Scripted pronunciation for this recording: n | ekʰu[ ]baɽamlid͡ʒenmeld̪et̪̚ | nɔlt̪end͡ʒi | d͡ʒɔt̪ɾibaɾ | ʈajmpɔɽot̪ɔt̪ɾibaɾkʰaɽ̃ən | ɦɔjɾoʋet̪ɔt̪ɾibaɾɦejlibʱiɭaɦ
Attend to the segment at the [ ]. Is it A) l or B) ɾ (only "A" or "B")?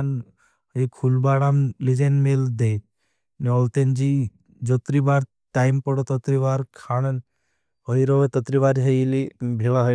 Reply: A